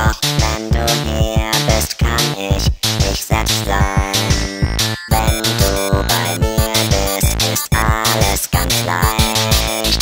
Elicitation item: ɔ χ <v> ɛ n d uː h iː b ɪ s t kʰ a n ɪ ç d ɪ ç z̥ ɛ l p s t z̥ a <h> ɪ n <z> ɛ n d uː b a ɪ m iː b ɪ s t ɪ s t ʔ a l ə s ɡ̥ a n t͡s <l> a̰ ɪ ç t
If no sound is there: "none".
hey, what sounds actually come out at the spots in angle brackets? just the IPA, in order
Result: v, none, v, l

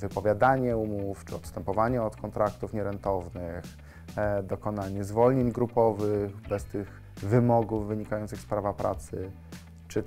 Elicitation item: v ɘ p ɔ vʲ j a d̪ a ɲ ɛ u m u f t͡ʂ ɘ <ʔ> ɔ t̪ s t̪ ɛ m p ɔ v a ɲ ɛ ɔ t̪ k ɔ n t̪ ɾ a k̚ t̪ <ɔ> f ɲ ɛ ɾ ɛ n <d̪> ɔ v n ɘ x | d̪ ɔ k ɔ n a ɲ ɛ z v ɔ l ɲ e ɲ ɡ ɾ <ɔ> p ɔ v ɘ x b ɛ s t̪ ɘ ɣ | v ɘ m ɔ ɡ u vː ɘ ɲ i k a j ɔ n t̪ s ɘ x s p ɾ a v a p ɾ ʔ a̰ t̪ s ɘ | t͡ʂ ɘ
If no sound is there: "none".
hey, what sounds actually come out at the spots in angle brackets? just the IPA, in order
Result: none, u, t̪, u

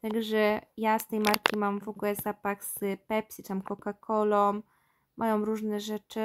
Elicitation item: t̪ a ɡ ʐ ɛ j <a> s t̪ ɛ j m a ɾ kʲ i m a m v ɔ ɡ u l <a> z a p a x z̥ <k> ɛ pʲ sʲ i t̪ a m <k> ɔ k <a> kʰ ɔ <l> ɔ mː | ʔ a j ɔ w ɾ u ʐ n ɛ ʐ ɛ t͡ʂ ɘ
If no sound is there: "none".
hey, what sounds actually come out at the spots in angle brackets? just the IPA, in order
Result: a, ɛ, p, k, a, l

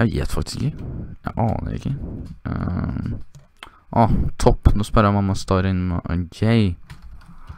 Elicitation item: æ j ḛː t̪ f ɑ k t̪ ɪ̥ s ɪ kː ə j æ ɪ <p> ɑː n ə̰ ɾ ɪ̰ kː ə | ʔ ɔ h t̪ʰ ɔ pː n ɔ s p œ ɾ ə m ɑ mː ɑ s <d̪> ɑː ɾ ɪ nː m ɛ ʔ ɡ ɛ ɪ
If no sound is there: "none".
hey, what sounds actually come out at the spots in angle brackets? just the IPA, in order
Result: ʔ, t̪

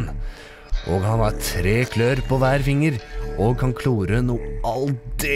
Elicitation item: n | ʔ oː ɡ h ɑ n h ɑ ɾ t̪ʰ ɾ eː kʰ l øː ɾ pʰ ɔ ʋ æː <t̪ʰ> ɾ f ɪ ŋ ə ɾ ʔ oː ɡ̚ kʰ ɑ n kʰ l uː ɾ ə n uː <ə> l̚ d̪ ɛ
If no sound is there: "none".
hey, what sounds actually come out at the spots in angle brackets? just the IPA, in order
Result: none, ɑ

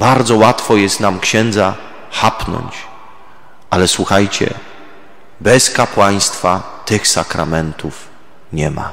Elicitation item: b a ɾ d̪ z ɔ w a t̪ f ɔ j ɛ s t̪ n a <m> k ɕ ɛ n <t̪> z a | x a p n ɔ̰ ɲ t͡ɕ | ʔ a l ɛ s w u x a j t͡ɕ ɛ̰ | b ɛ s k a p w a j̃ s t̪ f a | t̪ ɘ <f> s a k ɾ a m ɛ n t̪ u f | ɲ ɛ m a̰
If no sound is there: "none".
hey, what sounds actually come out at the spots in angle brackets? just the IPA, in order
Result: m, d̪, x

